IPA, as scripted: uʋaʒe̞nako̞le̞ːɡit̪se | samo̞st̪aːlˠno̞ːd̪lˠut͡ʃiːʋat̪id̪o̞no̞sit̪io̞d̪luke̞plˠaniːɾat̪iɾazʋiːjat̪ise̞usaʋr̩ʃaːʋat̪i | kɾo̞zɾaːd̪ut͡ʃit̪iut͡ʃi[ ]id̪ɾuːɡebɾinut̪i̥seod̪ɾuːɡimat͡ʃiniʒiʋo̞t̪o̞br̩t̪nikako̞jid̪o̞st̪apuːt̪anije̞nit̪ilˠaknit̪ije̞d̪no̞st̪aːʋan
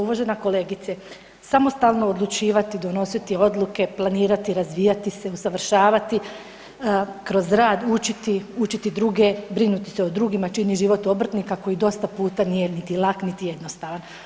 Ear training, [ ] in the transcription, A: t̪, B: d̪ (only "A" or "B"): A